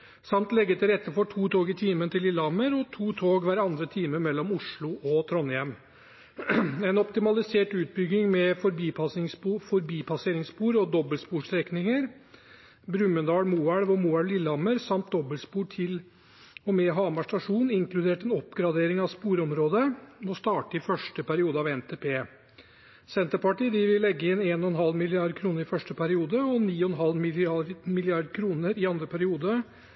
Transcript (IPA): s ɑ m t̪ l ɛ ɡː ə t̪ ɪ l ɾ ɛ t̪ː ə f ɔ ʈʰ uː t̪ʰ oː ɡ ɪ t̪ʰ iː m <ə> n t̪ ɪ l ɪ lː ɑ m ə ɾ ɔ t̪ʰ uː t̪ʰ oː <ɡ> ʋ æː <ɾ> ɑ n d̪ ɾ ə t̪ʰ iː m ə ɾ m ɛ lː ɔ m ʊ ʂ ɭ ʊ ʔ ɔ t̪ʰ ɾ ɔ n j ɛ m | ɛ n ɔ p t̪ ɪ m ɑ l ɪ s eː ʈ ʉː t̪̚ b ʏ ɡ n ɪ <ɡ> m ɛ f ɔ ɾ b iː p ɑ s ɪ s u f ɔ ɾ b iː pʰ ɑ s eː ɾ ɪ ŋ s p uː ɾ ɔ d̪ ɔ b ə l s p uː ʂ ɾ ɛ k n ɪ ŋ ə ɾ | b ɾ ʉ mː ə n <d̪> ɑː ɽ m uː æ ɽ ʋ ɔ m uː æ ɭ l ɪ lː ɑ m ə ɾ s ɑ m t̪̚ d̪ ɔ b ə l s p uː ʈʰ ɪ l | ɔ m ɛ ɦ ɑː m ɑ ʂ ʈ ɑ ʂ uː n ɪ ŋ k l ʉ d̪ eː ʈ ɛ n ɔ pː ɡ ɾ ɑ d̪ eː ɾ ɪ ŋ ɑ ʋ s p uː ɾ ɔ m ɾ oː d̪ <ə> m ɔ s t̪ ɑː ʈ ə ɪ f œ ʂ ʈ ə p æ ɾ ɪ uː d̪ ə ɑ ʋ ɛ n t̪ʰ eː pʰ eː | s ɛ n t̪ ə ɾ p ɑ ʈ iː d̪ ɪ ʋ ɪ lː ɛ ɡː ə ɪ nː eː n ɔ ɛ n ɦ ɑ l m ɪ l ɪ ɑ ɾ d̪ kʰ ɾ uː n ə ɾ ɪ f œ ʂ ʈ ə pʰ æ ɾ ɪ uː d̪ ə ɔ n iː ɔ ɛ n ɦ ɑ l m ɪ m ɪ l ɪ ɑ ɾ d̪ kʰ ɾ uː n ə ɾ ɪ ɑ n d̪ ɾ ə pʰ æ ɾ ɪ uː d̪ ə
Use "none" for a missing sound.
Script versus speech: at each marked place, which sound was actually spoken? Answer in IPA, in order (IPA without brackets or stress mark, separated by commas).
ə, ɡ, ɾ, ŋ, d̪, ə